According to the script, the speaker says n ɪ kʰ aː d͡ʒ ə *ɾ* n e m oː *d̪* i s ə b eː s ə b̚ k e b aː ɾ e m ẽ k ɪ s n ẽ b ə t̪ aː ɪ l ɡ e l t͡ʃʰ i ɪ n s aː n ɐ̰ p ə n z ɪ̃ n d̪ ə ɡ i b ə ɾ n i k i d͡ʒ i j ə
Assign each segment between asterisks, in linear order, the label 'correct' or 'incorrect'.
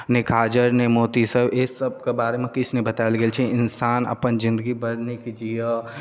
correct, incorrect: t̪

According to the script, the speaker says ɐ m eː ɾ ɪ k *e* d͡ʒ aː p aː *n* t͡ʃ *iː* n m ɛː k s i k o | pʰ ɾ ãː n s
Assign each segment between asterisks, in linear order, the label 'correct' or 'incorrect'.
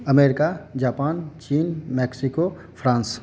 incorrect: a, correct, correct

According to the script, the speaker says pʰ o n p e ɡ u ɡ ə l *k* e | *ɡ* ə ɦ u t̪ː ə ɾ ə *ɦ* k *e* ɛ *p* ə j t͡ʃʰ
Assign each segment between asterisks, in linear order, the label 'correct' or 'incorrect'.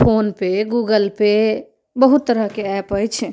incorrect: p, incorrect: b, correct, correct, correct

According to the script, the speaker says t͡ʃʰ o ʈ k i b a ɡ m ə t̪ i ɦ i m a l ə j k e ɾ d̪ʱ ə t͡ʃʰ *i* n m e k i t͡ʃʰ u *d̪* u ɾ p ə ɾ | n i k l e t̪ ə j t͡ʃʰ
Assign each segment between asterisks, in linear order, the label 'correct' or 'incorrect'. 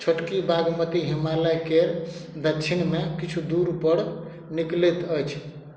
correct, correct

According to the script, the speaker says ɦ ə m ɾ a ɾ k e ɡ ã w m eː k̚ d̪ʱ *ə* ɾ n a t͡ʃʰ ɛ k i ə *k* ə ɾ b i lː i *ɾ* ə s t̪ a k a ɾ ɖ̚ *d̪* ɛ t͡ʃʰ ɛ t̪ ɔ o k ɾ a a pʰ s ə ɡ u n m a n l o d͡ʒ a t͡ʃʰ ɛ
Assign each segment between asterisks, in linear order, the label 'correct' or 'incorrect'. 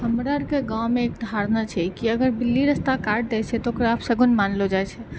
incorrect: a, incorrect: ɡ, correct, correct

